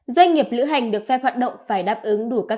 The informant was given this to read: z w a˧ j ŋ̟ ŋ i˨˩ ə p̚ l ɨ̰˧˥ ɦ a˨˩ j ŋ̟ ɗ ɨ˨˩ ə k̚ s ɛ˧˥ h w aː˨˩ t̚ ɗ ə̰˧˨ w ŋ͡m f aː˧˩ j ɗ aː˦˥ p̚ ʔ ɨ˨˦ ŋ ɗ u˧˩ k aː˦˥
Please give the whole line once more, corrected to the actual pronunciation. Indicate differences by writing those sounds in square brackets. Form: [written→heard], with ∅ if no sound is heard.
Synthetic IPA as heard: z w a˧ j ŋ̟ ŋ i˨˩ ə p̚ l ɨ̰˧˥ ɦ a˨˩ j ŋ̟ ɗ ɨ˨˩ ə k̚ [s→f] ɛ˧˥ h w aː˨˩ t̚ ɗ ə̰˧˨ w ŋ͡m f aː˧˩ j ɗ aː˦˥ p̚ ʔ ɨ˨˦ ŋ ɗ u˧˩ k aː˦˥